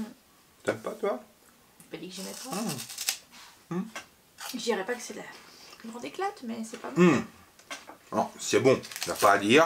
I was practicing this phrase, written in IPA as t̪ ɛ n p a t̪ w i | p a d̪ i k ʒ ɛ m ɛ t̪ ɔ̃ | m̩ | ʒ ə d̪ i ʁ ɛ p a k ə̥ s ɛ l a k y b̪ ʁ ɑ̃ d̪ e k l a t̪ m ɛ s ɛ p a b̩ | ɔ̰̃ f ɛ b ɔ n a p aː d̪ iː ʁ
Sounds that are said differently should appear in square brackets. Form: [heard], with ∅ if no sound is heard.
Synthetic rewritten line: t̪ ɛ [m] p a t̪ w [a] | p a d̪ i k ʒ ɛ m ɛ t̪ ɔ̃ | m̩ | ʒ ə d̪ i ʁ ɛ p a k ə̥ s ɛ l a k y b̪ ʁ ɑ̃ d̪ e k l a t̪ m ɛ s ɛ p a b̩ | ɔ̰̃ [s] ɛ b [ɔ̃] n a p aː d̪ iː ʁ